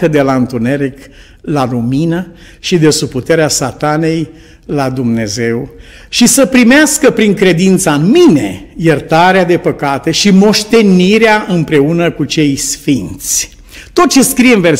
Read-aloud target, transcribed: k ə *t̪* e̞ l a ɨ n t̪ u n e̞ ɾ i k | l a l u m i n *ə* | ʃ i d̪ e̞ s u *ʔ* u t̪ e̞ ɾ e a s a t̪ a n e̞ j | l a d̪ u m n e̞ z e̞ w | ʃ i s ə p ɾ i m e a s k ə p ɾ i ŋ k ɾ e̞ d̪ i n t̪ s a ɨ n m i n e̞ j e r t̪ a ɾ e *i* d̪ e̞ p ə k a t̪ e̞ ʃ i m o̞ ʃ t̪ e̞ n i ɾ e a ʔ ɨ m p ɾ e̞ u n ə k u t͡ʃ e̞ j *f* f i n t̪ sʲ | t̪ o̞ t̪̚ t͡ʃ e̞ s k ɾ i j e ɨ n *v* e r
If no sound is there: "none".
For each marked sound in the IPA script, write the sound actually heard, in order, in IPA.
d̪, ə, p, a, s, v

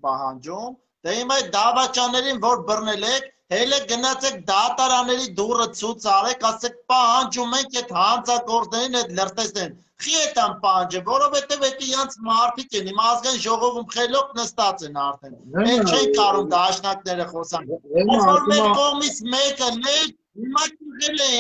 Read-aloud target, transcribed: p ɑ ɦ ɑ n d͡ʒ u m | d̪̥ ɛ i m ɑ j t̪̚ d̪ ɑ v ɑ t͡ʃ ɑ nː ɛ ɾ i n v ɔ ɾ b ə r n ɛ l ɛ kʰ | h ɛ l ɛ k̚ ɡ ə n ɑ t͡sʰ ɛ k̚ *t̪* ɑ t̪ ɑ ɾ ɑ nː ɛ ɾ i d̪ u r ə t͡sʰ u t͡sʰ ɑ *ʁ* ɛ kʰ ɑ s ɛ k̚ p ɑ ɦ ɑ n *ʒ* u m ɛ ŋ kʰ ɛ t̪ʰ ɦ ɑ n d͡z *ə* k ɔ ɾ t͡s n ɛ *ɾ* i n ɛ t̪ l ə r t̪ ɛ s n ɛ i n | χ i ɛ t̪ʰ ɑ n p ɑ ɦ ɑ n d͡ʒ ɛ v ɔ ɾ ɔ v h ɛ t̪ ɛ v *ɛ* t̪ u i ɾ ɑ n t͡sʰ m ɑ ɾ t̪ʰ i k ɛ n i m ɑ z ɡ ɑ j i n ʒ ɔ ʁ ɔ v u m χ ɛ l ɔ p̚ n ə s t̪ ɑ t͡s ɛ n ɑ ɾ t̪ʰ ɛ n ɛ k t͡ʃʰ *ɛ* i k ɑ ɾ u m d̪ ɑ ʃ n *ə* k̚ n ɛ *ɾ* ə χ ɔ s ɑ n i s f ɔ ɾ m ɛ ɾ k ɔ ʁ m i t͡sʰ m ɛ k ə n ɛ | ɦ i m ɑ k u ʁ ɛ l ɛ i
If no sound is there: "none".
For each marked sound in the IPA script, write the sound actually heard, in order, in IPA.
d̪, ʁ, d͡ʒ, ɑ, ɾ, ɛ, ɛ, ɑ, ɾ

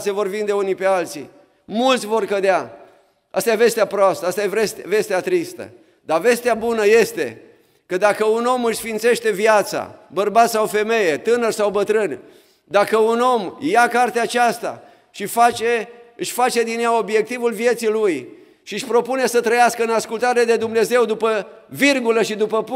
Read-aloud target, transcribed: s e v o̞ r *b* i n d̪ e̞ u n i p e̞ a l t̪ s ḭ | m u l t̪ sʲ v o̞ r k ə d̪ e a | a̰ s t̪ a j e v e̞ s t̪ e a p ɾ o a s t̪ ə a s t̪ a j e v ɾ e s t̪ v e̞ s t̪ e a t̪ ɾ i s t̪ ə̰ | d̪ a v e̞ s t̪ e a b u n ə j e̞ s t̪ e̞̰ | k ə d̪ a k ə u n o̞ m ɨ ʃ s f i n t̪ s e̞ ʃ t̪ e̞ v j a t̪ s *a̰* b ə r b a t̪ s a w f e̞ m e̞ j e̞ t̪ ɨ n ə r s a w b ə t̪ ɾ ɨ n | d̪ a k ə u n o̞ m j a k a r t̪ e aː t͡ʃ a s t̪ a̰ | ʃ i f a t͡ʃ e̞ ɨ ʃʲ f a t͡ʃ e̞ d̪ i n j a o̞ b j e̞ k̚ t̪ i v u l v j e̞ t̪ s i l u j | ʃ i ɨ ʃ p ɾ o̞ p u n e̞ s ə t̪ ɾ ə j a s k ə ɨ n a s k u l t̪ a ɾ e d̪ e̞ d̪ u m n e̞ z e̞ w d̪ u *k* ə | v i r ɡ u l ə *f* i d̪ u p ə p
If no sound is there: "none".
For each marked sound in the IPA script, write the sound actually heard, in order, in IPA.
v, a̰, p, ʃ

